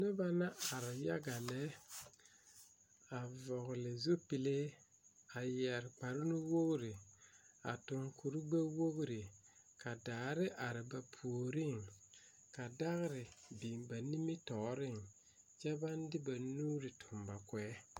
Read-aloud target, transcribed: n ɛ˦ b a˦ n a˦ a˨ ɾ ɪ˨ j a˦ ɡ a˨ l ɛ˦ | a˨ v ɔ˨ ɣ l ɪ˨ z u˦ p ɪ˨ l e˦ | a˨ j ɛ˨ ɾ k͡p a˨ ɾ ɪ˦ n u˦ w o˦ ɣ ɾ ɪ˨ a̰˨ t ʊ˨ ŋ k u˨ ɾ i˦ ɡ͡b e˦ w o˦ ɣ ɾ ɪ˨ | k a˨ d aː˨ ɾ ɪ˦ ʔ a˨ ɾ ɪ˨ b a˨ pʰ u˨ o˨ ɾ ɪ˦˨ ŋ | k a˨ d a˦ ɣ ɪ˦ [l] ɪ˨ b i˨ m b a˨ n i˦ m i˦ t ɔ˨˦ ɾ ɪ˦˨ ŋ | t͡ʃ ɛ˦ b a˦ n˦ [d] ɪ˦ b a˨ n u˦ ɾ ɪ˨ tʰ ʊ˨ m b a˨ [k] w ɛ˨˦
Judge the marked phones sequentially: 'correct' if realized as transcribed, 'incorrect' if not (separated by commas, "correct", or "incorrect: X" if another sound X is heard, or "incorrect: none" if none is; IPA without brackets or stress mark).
incorrect: ɾ, correct, correct